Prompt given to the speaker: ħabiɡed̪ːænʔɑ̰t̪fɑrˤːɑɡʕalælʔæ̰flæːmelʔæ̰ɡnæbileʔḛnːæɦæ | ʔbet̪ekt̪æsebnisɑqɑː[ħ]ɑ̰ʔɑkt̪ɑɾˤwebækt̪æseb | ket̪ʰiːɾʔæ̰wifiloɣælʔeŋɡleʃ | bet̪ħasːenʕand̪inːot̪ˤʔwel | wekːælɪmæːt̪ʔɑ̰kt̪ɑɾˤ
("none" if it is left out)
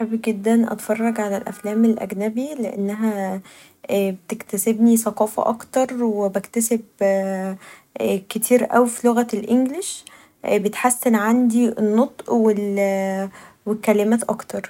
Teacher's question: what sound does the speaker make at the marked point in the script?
f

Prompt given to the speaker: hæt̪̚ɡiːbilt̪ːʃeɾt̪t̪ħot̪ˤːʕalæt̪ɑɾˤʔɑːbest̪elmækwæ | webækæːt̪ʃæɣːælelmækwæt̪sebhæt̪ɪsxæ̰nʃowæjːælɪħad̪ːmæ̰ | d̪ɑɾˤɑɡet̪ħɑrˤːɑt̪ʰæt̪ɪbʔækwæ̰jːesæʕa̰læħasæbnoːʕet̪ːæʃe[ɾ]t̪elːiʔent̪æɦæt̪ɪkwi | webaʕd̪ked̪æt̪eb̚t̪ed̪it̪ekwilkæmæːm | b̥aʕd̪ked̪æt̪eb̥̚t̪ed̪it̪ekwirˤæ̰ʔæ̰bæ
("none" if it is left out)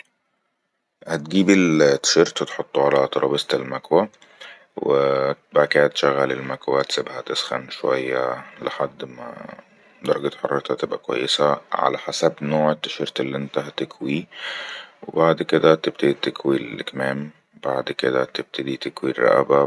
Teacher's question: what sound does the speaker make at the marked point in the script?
ɾ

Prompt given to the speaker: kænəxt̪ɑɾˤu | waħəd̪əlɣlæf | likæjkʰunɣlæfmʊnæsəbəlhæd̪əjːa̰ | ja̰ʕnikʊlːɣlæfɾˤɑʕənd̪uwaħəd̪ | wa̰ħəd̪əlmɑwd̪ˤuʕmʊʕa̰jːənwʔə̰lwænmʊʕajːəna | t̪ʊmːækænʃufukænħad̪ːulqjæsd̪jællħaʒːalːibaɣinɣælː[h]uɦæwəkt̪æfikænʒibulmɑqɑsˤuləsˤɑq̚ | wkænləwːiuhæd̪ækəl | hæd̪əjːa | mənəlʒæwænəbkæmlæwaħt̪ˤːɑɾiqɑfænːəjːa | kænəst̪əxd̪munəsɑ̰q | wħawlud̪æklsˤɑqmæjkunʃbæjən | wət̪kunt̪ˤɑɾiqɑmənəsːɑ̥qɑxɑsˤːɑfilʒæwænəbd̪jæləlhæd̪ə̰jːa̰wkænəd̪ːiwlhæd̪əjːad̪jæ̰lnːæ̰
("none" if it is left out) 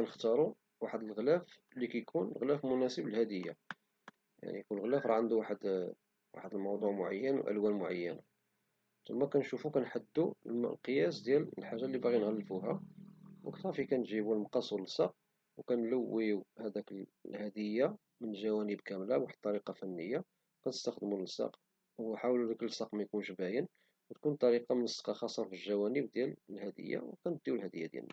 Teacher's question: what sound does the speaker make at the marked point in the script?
f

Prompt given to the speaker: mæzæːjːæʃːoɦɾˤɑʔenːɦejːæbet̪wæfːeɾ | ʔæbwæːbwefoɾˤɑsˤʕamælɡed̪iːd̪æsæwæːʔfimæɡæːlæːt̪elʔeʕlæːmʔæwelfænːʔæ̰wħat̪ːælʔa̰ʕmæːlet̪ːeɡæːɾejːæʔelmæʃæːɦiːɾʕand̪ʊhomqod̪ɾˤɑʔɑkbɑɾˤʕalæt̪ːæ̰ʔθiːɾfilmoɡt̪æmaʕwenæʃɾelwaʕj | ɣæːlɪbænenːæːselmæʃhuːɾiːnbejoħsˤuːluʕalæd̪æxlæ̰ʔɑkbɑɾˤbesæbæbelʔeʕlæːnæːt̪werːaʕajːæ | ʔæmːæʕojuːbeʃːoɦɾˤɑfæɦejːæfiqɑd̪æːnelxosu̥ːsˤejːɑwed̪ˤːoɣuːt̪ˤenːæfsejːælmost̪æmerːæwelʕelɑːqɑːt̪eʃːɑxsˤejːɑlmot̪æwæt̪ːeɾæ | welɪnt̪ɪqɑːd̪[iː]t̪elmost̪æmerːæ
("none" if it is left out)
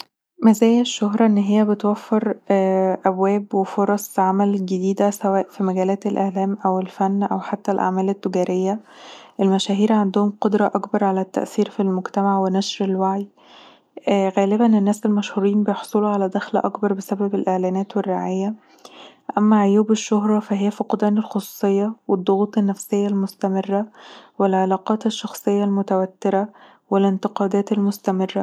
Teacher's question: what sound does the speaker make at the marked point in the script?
æː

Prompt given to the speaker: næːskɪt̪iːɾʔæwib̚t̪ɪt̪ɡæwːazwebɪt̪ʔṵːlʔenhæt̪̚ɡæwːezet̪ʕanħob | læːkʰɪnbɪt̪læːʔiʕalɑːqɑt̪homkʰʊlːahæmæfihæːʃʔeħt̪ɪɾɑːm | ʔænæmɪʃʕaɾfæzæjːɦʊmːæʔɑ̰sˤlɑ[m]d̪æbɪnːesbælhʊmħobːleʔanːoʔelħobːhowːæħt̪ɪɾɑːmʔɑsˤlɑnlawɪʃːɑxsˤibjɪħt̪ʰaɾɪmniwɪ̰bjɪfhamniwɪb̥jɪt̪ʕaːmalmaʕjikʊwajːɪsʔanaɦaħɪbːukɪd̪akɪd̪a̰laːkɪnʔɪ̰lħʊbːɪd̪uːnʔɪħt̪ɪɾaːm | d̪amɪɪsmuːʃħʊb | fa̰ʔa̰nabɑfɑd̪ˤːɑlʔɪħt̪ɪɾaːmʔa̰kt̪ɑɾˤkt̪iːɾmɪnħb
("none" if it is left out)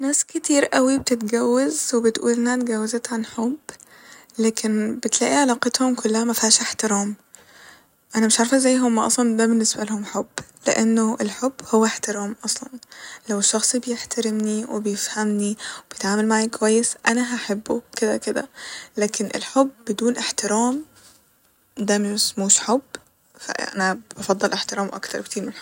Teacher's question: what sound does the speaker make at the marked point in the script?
n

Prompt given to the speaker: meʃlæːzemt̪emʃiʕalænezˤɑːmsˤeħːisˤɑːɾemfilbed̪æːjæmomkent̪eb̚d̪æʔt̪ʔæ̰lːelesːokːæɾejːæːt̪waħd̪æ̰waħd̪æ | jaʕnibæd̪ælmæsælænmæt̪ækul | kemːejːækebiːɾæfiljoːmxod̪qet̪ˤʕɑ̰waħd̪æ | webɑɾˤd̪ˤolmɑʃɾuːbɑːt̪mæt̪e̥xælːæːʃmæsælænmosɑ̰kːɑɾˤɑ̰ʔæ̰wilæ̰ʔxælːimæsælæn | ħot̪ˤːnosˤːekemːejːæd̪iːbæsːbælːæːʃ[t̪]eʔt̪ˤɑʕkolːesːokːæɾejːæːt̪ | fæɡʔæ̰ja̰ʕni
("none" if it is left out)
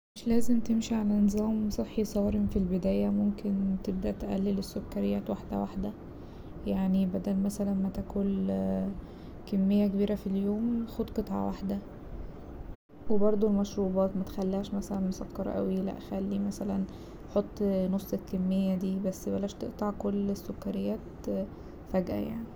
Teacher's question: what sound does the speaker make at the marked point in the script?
t̪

